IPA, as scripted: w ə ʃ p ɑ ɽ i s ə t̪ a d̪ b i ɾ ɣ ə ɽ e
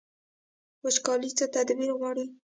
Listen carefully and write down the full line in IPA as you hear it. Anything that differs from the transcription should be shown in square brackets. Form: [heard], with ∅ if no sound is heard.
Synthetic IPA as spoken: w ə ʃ [k] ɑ [l] i [t͡s] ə t̪ a d̪ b i ɾ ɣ [ɑ] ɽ [i]